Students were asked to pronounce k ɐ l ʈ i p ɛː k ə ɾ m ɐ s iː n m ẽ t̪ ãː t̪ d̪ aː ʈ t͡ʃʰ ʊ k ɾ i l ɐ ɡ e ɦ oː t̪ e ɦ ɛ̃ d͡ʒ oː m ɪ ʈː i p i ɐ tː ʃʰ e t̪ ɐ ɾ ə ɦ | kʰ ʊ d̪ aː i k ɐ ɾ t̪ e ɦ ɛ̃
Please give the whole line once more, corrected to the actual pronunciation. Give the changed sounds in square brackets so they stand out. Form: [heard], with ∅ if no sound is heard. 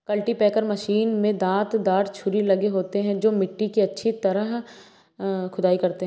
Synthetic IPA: k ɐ l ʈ i p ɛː k ə ɾ m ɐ [ʃ] iː n m ẽ [d̪] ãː t̪ d̪ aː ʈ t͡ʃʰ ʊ [∅] ɾ i l ɐ ɡ e ɦ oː t̪ e ɦ ɛ̃ d͡ʒ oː m ɪ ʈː i [k] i ɐ tː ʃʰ [i] t̪ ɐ ɾ ə ɦ | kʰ ʊ d̪ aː i k ɐ ɾ t̪ e ɦ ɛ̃